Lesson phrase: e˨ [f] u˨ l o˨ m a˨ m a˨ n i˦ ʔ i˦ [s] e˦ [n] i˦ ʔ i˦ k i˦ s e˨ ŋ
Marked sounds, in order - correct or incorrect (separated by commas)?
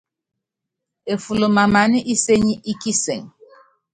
correct, correct, incorrect